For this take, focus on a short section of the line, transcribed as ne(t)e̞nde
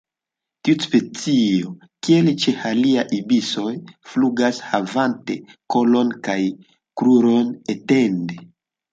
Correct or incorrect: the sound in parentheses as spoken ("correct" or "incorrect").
correct